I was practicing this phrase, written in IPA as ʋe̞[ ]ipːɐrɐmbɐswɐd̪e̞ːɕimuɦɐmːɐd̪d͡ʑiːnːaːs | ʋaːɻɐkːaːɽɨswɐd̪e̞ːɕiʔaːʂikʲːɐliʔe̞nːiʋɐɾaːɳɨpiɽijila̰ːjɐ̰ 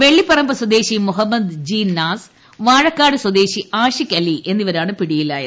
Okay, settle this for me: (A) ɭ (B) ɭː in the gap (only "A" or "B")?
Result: B